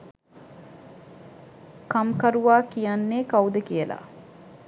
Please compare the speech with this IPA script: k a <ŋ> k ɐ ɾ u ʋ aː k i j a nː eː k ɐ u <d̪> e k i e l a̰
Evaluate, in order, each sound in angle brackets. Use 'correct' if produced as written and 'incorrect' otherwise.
incorrect, correct

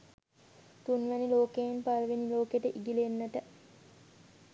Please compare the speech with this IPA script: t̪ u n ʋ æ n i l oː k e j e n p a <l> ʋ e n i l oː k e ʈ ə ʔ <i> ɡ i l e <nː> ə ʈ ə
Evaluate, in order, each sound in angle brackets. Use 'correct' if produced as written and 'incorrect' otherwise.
correct, correct, correct

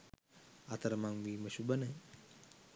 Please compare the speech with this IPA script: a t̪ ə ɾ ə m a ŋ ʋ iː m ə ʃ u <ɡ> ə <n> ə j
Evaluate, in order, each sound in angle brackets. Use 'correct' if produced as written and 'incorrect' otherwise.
incorrect, correct

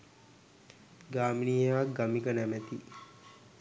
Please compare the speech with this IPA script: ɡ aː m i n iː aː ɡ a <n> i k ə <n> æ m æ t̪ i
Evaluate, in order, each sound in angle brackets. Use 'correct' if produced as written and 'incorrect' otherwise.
incorrect, correct

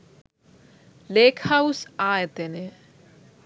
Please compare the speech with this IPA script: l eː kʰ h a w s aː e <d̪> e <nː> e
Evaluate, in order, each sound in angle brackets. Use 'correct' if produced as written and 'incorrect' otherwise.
incorrect, incorrect

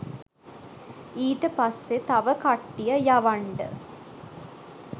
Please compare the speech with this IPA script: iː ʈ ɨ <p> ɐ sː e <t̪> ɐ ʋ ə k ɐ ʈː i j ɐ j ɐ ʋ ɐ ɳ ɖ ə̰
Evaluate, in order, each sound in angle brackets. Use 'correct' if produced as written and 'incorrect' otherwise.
correct, correct

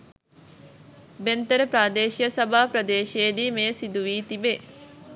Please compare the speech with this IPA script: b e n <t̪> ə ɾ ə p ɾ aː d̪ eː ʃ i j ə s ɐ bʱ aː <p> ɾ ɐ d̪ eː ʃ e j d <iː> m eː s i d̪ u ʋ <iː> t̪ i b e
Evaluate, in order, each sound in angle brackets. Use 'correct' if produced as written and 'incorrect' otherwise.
correct, correct, correct, correct

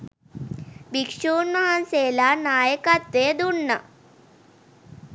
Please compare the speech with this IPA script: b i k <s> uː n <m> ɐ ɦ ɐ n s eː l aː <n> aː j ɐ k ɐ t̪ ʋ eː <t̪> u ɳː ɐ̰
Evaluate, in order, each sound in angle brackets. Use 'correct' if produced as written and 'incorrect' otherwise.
incorrect, correct, correct, incorrect

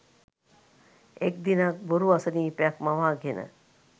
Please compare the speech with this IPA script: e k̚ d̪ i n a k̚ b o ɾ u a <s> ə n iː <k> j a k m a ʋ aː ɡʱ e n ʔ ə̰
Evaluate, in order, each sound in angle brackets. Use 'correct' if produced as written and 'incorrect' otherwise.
correct, incorrect

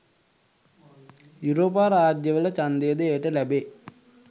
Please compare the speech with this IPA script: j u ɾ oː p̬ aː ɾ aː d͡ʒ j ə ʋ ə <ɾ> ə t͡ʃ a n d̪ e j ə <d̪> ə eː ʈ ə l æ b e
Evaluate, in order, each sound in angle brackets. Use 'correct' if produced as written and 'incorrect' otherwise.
incorrect, correct

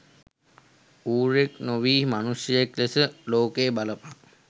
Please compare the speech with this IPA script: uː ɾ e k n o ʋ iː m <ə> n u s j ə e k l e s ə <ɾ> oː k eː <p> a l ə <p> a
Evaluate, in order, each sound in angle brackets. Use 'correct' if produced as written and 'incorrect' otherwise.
incorrect, incorrect, incorrect, correct

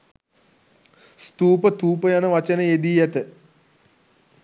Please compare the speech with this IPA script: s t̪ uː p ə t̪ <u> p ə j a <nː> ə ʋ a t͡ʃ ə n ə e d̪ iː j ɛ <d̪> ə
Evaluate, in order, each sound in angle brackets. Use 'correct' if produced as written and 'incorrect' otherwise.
incorrect, incorrect, incorrect

